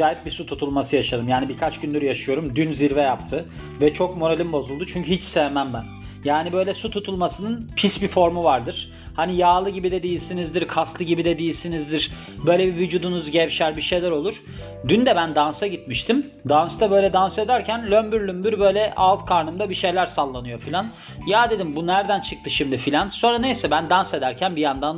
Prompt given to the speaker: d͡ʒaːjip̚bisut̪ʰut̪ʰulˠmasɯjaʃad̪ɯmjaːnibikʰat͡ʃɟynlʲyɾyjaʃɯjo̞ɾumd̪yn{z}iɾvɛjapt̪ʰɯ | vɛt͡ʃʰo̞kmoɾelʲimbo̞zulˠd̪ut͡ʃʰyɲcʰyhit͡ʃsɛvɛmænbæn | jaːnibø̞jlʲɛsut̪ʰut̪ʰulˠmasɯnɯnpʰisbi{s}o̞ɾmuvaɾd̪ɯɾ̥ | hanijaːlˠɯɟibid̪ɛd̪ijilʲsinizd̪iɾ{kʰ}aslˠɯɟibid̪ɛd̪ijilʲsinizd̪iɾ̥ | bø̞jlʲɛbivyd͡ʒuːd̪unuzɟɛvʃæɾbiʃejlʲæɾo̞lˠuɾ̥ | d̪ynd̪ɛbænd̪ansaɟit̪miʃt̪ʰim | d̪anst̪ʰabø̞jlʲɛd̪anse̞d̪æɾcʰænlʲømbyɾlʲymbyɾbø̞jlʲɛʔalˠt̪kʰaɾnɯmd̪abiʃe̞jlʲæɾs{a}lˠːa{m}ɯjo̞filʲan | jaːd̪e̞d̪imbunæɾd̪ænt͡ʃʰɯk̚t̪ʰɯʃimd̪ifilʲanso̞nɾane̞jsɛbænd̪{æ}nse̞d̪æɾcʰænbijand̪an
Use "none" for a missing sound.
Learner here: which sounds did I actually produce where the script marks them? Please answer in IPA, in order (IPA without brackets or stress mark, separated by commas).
z, f, kʰ, a, n, a